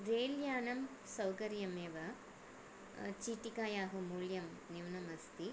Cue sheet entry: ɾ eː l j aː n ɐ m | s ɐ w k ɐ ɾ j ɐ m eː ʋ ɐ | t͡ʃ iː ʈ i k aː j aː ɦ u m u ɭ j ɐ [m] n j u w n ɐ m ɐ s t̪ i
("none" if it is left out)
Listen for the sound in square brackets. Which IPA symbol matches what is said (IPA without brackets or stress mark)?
m